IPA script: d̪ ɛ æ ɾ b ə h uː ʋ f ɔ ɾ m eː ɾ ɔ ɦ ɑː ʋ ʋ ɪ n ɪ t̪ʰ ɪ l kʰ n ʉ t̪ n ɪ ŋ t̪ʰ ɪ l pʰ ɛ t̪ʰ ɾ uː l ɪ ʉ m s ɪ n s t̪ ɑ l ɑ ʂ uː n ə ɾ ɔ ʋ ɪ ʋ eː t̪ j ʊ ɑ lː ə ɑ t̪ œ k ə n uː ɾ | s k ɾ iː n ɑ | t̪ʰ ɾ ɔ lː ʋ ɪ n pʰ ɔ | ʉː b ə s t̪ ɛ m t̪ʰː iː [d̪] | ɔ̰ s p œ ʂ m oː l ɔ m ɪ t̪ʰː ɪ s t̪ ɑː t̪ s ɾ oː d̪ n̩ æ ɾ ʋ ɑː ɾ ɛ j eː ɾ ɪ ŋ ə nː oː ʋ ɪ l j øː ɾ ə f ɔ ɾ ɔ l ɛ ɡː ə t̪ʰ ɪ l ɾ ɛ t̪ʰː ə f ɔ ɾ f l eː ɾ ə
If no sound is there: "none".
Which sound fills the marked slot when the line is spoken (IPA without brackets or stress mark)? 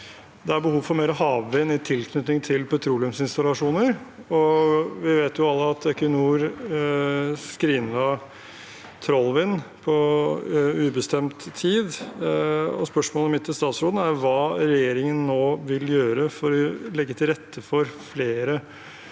d̪